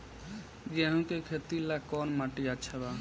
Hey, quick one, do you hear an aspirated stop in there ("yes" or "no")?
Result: yes